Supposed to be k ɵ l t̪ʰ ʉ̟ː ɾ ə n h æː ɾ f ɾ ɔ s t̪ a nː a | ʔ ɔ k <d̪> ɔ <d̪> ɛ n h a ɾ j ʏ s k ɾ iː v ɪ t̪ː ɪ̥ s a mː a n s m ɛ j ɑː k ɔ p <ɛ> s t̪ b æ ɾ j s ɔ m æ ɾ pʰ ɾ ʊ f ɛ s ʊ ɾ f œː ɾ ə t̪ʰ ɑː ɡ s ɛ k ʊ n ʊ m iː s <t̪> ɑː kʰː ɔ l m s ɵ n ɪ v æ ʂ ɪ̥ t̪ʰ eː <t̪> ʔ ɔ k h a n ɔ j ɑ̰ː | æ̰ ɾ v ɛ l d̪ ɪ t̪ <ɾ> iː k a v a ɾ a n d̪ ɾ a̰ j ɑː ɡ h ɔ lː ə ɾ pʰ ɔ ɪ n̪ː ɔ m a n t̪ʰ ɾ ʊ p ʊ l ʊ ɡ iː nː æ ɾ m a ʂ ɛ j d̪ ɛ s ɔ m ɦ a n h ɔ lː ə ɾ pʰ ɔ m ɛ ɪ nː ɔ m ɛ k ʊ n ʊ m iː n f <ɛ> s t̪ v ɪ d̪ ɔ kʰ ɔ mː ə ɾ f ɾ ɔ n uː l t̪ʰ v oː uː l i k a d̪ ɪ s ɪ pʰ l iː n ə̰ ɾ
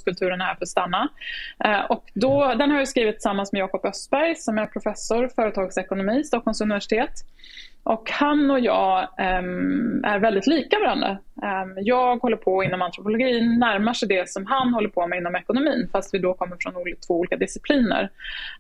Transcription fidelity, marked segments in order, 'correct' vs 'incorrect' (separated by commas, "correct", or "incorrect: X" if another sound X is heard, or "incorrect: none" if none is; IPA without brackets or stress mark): correct, correct, incorrect: œ, correct, correct, incorrect: l, incorrect: a